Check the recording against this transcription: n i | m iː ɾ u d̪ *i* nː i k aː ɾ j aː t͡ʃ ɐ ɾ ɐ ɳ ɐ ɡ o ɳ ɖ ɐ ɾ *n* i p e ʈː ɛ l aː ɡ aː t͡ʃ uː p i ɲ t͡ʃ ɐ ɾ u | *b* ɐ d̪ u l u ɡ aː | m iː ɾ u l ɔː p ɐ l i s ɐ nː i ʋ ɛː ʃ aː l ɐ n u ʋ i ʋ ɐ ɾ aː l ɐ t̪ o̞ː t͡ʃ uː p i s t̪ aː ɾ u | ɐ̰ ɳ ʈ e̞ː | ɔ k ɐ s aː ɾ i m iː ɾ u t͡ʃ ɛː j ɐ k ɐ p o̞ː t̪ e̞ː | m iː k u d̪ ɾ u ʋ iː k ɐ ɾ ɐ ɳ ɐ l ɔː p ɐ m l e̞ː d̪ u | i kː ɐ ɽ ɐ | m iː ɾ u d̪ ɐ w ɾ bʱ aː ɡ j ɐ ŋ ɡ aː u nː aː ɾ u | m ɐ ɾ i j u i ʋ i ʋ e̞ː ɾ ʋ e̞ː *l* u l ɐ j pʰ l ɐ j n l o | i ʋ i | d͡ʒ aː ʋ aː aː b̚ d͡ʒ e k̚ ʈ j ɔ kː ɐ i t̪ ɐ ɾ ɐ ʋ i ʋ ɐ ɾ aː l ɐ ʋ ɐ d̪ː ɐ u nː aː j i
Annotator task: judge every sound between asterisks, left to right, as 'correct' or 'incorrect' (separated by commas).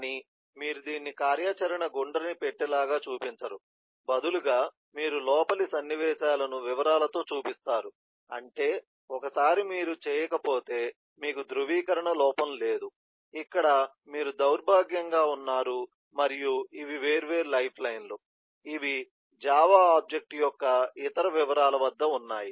incorrect, correct, correct, incorrect